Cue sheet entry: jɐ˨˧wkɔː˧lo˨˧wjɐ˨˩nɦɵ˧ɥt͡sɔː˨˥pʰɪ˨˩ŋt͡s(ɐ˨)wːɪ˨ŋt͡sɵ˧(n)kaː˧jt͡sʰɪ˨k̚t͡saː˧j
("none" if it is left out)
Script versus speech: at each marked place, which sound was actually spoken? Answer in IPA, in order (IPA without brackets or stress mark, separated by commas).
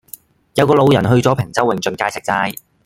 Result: ɐ˥, n